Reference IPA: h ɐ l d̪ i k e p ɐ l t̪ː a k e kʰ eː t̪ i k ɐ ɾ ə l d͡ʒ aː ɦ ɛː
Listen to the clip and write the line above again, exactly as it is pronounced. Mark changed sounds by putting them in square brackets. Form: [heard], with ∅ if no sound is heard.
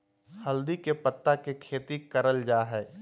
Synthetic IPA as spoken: h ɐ l d̪ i k e p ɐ [∅] t̪ː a k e kʰ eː t̪ i k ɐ ɾ ə l d͡ʒ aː ɦ ɛː